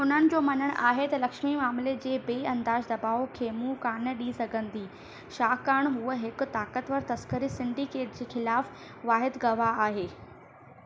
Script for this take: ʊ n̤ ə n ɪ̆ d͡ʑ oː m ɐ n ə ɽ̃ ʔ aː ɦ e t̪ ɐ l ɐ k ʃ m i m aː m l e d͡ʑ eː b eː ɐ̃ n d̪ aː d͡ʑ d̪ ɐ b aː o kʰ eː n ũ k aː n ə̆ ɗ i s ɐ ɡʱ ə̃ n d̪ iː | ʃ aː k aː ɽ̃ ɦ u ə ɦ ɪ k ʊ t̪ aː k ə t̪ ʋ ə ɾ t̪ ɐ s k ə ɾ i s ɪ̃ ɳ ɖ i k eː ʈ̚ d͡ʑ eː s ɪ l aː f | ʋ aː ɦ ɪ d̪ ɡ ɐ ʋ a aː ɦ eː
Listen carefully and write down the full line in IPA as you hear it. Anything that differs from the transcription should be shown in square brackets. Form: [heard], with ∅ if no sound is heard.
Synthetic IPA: ʊ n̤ ə n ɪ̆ d͡ʑ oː m ɐ n ə ɽ̃ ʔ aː ɦ e t̪ ɐ l ɐ k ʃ m i m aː m l e d͡ʑ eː b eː ɐ̃ n d̪ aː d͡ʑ d̪ ɐ b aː o kʰ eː [m] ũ k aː n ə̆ ɗ i s ɐ ɡʱ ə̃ n d̪ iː | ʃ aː k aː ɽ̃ ɦ u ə ɦ ɪ k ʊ t̪ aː k ə t̪ ʋ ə ɾ t̪ ɐ s k ə ɾ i s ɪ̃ ɳ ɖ i k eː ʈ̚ d͡ʑ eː [x] ɪ l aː f | ʋ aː ɦ ɪ d̪ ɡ ɐ ʋ a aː ɦ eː